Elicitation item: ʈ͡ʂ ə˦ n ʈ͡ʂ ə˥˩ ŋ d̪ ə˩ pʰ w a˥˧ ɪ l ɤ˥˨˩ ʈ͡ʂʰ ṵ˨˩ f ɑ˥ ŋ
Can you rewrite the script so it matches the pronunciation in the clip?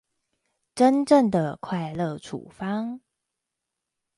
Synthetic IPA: ʈ͡ʂ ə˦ n ʈ͡ʂ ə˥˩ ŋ d̪ ə˩ kʰ w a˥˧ ɪ l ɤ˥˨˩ ʈ͡ʂʰ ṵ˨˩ f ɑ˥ ŋ